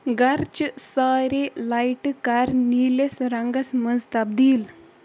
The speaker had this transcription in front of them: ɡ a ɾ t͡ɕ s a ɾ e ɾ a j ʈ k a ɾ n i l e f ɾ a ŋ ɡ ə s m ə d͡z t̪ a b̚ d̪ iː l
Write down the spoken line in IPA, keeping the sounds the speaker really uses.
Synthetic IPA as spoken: ɡ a ɾ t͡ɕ s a ɾ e l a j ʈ k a ɾ n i l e s ɾ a ŋ ɡ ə s m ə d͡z t̪ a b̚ d̪ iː l